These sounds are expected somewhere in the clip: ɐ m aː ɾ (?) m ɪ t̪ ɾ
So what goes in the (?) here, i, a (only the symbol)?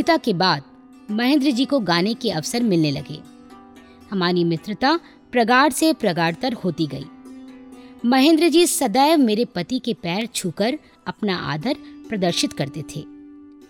i